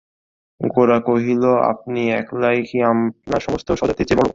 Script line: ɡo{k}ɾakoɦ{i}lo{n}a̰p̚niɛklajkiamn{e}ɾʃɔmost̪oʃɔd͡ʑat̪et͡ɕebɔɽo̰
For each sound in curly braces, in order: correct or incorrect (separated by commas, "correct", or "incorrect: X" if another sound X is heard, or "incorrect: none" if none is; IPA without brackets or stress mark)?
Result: incorrect: none, correct, incorrect: none, incorrect: a